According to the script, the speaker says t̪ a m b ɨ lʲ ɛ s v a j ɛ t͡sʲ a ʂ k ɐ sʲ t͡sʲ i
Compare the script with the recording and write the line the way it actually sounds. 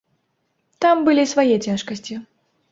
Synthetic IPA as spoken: t̪ a m b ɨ lʲ i s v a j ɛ t͡sʲ a ʂ k ɐ sʲ t͡sʲ i